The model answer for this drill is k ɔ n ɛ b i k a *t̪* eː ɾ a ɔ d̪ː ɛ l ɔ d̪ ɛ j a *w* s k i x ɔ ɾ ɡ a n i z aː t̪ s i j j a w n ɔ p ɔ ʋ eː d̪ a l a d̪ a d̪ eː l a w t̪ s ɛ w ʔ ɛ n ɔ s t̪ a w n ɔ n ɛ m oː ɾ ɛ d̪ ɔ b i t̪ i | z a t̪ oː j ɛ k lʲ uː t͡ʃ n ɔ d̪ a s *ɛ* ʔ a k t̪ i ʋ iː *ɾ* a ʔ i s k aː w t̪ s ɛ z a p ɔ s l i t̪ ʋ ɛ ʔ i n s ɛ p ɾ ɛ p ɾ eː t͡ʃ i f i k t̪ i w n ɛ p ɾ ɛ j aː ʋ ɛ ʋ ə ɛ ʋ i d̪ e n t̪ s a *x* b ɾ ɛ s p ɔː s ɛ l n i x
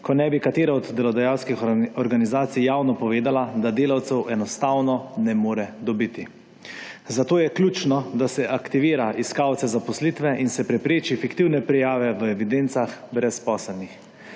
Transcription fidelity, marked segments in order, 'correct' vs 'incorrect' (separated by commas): correct, correct, correct, correct, correct